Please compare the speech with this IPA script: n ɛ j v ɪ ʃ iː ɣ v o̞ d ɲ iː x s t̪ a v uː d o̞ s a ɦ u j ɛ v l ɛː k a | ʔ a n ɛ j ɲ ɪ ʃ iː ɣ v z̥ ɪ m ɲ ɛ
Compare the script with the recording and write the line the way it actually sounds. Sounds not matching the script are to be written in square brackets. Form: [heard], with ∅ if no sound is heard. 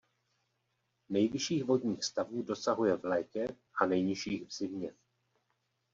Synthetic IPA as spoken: n ɛ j v ɪ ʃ iː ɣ v o̞ d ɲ iː x s t̪ a v uː d o̞ s a ɦ u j ɛ v l ɛː k [ɛ] | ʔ a n ɛ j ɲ ɪ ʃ iː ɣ v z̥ ɪ m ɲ ɛ

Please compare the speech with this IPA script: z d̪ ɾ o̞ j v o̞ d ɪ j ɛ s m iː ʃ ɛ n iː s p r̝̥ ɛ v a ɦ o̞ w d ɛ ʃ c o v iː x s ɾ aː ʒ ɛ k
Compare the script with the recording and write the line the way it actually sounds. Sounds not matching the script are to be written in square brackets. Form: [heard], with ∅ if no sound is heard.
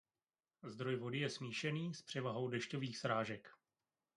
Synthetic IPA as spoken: z d̪ ɾ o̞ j v o̞ d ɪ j ɛ s m iː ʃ ɛ n iː s p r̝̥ ɛ v a ɦ o̞ w d ɛ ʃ c o v iː x s ɾ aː ʒ ɛ k

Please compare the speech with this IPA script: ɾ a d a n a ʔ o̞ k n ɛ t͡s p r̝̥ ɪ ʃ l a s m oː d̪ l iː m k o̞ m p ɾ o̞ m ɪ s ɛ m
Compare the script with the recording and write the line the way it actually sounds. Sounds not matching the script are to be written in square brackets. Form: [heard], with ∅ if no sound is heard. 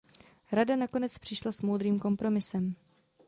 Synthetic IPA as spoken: ɾ a d a n a [k] o̞ [∅] n ɛ t͡s p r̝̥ ɪ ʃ l a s m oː d̪ [ɾ] iː m k o̞ m p ɾ o̞ m ɪ s ɛ m

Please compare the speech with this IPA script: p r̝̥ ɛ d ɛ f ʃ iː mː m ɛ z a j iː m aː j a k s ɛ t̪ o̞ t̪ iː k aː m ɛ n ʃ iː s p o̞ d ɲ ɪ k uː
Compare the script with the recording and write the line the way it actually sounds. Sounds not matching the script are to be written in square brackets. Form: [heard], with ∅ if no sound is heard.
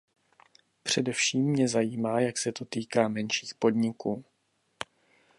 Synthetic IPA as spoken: p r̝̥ ɛ d ɛ f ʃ iː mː [ɲ] ɛ z a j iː m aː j a k s ɛ t̪ o̞ t̪ iː k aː m ɛ n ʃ iː [x] p o̞ d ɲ ɪ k uː

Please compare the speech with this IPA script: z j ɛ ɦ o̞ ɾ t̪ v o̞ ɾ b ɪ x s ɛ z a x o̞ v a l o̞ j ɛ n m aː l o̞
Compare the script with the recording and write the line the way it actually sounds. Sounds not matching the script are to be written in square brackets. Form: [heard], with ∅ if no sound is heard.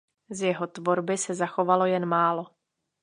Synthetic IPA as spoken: z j ɛ ɦ o̞ [∅] t̪ v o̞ ɾ b ɪ [∅] s ɛ z a x o̞ v a l o̞ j ɛ n m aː l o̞

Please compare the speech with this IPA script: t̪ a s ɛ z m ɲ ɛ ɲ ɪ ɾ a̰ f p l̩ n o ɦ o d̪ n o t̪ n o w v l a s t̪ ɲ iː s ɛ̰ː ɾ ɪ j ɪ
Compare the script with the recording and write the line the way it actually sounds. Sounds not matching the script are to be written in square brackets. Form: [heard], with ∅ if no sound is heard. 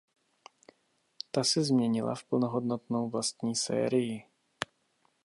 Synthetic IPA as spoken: t̪ a s ɛ z m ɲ ɛ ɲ ɪ [l] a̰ f p l̩ n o ɦ o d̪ n o t̪ n o w v l a s t̪ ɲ iː s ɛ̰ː ɾ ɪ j ɪ

